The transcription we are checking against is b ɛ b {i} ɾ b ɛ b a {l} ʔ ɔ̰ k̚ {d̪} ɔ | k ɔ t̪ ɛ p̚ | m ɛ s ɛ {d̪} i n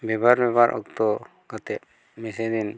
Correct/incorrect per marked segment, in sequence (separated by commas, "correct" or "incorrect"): incorrect, incorrect, incorrect, correct